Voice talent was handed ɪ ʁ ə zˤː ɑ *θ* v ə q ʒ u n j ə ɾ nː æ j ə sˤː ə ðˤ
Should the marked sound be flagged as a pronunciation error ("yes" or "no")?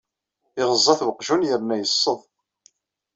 no